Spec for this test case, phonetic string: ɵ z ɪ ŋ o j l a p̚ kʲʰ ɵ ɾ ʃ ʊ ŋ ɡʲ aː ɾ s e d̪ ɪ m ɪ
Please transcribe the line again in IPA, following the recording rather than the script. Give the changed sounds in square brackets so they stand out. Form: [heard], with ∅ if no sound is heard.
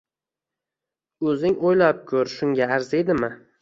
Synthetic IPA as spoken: ɵ z ɪ ŋ o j l a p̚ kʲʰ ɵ ɾ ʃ ʊ ŋ ɡʲ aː ɾ [z] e d̪ ɪ m ɪ